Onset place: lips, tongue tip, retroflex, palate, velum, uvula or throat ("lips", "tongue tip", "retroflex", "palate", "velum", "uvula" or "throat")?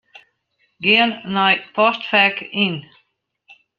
velum